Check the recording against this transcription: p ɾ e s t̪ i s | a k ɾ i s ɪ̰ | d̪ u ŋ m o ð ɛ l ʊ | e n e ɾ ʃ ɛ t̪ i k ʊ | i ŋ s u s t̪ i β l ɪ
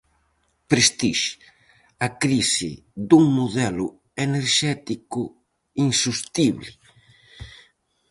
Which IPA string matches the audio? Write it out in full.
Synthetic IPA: p ɾ e s t̪ i ʃ | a k ɾ i s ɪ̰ | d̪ u ŋ m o ð ɛ l ʊ | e n e ɾ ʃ ɛ t̪ i k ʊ | i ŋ s u s t̪ i β l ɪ